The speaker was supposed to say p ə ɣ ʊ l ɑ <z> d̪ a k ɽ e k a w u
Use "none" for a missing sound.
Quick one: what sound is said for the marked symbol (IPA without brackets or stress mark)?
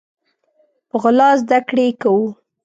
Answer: z